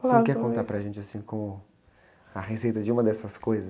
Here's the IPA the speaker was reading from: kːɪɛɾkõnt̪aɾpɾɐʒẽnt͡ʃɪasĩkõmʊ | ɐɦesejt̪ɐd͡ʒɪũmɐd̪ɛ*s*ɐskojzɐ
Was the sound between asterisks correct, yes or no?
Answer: yes